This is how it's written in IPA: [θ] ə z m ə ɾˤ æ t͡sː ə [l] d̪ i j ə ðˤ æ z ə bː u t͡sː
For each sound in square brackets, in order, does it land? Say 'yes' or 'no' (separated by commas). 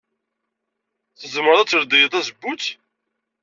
yes, no